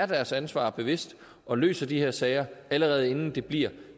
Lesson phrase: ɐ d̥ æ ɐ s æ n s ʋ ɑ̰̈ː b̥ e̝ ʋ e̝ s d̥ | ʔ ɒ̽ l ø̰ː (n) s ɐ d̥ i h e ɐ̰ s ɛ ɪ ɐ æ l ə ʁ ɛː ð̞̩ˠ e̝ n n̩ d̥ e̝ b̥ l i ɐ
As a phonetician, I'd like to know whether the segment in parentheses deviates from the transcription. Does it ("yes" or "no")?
yes